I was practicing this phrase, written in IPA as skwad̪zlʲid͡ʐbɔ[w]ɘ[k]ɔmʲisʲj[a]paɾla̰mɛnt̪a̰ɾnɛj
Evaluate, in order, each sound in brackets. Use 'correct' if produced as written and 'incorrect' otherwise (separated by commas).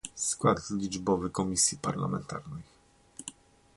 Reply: incorrect, correct, incorrect